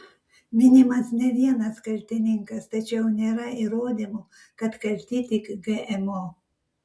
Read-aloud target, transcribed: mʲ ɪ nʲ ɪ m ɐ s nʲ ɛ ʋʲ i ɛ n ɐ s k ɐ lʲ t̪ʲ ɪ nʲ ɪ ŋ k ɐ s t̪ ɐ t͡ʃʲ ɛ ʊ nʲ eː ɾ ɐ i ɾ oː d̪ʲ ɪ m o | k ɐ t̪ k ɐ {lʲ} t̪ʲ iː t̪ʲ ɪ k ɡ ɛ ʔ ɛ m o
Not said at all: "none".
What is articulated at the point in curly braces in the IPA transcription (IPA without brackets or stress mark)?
lʲ